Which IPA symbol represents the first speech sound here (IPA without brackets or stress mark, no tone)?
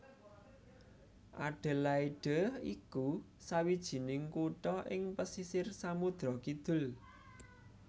ʔ